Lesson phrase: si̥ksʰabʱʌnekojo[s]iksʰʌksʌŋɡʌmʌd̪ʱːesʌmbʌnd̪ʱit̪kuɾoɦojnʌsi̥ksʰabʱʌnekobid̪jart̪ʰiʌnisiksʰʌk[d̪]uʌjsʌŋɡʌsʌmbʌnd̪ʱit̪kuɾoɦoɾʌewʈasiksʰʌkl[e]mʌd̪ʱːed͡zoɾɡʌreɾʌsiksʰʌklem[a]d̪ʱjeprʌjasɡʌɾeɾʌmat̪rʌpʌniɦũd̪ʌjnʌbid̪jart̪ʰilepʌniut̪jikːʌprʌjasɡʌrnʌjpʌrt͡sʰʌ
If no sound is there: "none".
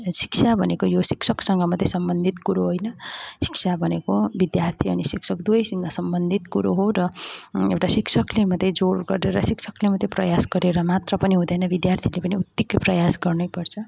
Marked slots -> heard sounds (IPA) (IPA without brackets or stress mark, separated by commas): s, d̪, e, ʌ